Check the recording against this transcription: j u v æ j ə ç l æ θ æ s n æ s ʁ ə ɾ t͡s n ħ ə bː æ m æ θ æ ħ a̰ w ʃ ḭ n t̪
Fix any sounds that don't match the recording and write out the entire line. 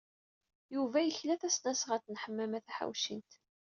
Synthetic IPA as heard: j u v æ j ə ç l æ θ æ s n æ s ʁ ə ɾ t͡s n ħ ə mː æ m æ θ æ ħ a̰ w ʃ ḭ n t̪